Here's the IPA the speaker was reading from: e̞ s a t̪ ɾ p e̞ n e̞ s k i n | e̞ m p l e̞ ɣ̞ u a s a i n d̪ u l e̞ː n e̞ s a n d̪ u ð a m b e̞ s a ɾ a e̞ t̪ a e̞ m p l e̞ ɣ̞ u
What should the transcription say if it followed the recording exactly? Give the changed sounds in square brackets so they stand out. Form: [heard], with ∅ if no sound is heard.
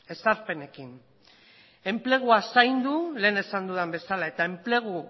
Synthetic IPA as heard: e̞ s a [∅] ɾ p e̞ n e̞ [∅] k i n | e̞ m p l e̞ ɣ̞ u a s a [j] n d̪ u l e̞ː n e̞ s a n d̪ u ð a m b e̞ s a [l] a e̞ t̪ a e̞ m p l e̞ ɣ̞ u

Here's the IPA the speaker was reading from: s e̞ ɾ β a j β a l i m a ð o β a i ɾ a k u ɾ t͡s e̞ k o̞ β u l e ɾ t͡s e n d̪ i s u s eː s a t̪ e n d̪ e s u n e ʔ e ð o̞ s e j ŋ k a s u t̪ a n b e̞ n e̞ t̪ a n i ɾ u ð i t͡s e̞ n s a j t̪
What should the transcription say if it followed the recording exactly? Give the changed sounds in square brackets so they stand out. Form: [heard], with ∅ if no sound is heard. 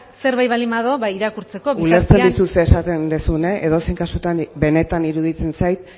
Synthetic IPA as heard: s e̞ ɾ β a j β a l i m a ð o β a i ɾ a k u ɾ t͡s e̞ k o̞ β u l e ɾ t͡s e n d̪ i s u s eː s a t̪ e n d̪ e s u n e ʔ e ð o̞ s e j ŋ k a s u t̪ a n b e̞ n e̞ t̪ a n i ɾ u ð i t͡s e̞ n s a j t̪

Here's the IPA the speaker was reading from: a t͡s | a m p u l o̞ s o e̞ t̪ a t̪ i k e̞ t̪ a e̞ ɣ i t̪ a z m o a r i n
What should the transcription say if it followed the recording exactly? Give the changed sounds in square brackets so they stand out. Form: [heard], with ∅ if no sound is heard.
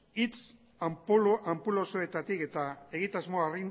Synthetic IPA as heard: [i] t͡s | a m p u l o̞ s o e̞ t̪ a t̪ i k e̞ t̪ a e̞ ɣ i t̪ a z m o a r i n

